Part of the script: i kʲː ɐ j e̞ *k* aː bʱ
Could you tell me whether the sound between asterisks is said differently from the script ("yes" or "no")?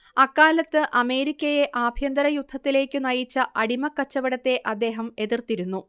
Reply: yes